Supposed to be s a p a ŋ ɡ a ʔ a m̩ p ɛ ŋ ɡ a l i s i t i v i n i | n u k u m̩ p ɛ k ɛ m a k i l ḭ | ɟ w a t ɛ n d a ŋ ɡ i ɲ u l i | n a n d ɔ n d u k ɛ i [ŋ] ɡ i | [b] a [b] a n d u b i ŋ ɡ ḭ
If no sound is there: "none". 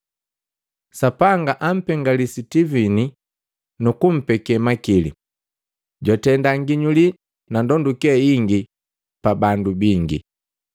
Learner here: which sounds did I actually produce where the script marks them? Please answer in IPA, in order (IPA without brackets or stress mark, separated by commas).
ŋ, p, b